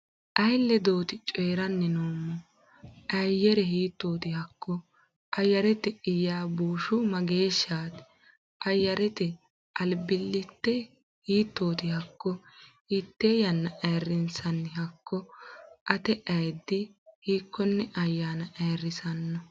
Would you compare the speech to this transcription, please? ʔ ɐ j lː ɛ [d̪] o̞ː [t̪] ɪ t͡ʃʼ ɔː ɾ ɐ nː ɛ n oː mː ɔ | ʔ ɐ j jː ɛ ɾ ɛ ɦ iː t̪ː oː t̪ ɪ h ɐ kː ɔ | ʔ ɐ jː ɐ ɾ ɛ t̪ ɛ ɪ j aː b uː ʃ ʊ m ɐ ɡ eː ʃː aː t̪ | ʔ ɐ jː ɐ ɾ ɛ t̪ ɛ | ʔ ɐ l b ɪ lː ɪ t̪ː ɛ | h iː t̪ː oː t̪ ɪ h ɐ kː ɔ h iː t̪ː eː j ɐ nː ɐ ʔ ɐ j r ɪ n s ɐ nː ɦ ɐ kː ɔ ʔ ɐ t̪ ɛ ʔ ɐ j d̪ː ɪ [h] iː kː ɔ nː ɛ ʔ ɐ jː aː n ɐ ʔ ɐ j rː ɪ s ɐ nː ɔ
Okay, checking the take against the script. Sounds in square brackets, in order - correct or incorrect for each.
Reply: correct, correct, correct

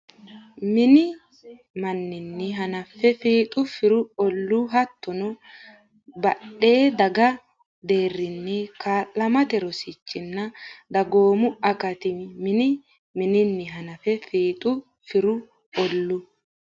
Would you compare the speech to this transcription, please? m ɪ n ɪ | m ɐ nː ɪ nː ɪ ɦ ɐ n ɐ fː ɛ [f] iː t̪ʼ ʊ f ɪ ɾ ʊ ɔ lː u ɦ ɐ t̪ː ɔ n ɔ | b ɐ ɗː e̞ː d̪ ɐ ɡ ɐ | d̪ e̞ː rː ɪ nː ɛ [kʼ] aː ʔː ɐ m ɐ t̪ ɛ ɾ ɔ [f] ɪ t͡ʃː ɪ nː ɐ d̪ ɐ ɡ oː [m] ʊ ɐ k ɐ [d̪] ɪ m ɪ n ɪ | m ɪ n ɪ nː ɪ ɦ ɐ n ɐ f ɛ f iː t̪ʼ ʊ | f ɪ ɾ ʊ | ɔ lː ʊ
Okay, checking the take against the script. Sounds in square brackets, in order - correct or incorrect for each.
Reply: correct, incorrect: k, incorrect: s, correct, incorrect: t̪

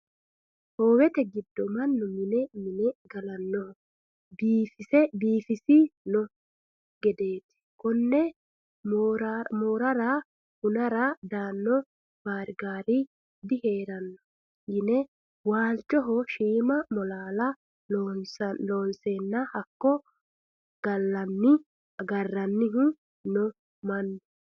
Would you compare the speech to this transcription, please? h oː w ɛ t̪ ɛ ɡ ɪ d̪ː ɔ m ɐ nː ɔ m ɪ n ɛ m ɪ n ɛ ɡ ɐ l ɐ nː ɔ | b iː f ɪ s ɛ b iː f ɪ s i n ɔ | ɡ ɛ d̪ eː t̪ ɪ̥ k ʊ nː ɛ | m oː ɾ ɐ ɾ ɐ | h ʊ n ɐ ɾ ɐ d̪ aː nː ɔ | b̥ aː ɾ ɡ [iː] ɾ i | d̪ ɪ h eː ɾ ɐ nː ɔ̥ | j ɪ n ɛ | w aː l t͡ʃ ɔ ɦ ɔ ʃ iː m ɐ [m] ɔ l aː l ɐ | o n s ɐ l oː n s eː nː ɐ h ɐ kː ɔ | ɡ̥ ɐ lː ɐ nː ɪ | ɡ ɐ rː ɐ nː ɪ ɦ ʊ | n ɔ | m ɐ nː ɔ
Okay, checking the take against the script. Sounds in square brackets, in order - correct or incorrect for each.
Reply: incorrect: aː, correct

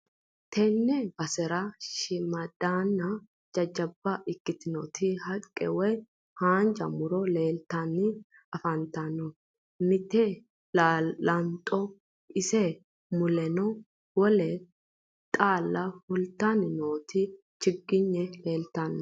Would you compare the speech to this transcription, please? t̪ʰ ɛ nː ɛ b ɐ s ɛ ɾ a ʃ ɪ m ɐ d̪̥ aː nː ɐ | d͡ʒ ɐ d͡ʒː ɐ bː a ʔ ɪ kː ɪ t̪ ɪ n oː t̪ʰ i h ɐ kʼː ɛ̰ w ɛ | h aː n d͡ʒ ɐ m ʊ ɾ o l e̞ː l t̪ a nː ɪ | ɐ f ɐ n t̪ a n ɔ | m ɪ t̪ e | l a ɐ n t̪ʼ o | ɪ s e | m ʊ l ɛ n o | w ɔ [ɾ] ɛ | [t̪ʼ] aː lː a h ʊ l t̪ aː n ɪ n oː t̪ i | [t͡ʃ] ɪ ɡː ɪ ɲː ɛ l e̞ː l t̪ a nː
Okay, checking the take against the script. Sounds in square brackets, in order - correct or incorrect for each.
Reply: incorrect: l, correct, correct

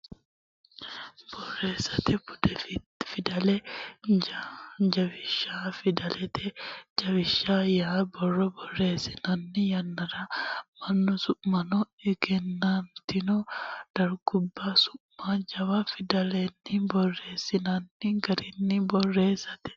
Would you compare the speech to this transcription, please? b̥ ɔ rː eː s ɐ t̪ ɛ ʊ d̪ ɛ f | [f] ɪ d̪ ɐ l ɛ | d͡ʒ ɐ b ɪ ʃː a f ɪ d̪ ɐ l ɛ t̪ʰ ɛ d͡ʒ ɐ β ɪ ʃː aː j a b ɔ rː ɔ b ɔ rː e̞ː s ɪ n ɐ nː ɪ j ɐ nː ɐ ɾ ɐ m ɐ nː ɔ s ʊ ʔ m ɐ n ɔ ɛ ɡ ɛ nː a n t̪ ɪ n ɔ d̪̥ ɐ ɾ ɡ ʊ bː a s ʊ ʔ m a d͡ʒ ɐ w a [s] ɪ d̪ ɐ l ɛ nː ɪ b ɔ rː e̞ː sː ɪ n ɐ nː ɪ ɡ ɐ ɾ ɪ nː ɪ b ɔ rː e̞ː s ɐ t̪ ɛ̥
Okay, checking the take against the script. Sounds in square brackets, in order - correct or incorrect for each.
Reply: correct, incorrect: f

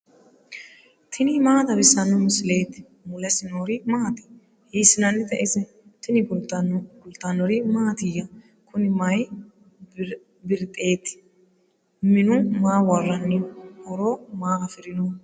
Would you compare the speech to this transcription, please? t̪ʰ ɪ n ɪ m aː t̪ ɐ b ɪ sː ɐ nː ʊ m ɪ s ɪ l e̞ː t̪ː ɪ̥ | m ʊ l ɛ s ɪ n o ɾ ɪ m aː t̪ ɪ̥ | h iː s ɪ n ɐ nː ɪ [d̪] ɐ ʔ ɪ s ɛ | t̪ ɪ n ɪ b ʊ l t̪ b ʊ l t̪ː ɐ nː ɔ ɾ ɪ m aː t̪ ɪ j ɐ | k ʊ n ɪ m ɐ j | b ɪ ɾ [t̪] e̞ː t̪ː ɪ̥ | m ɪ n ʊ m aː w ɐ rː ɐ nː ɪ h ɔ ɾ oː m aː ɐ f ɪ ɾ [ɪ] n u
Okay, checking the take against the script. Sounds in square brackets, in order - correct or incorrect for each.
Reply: incorrect: t̪, incorrect: t̪ʼ, correct

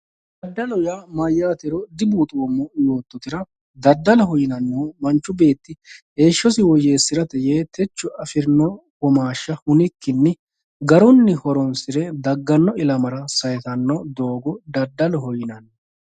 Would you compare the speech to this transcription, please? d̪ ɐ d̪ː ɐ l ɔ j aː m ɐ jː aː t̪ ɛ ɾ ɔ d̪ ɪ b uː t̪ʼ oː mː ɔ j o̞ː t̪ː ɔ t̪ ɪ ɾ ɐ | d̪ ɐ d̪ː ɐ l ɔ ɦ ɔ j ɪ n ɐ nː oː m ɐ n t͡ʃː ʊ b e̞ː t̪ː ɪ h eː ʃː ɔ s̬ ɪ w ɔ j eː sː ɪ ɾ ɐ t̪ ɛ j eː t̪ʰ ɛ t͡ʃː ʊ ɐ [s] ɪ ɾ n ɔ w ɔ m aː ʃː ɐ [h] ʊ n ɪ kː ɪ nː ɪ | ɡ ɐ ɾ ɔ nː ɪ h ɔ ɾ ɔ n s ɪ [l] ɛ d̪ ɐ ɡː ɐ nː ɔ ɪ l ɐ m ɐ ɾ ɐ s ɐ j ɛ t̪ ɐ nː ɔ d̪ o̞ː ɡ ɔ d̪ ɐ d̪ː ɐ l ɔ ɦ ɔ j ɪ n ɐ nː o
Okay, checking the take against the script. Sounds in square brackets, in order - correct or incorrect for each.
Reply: incorrect: f, correct, incorrect: ɾ

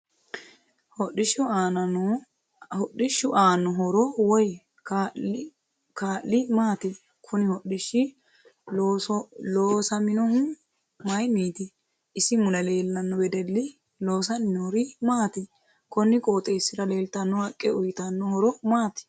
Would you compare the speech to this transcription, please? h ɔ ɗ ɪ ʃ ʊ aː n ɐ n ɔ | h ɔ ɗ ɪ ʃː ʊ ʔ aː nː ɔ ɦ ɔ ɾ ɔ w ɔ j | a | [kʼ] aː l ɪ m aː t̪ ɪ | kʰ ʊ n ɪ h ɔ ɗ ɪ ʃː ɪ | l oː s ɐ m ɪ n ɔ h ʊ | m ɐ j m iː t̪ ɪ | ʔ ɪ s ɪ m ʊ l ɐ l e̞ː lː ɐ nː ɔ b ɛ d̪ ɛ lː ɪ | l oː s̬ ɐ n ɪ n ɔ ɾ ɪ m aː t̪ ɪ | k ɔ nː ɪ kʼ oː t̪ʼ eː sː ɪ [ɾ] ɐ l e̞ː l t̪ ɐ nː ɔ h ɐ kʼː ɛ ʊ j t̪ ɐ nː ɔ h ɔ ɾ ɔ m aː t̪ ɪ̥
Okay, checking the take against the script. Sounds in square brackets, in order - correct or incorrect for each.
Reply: incorrect: k, correct

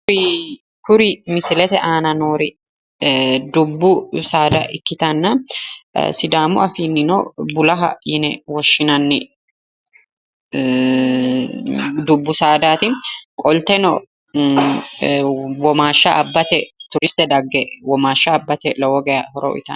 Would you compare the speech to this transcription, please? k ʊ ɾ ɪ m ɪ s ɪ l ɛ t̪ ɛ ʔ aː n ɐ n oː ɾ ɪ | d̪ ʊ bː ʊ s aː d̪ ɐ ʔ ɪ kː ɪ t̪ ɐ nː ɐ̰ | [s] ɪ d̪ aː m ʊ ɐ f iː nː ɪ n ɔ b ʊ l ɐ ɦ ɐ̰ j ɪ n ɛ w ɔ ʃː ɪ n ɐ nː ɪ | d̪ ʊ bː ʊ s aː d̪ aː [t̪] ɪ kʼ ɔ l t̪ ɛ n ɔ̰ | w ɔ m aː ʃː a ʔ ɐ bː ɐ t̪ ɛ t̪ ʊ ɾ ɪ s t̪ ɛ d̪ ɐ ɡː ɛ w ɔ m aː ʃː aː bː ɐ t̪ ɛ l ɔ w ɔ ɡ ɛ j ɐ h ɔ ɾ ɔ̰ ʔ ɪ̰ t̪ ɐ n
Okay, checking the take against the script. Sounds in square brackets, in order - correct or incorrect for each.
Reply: correct, correct

